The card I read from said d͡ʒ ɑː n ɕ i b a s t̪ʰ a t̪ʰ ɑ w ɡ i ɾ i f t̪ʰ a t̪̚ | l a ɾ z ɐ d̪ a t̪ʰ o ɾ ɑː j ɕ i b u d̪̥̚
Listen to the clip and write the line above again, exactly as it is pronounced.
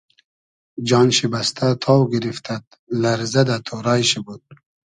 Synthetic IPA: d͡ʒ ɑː n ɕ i b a s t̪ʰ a t̪ʰ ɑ w ɡ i ɾ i f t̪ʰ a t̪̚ | l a ɾ z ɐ d̪ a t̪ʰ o ɾ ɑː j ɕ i b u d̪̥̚